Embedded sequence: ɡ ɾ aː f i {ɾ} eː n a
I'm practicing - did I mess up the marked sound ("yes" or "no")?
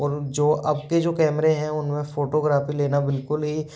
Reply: yes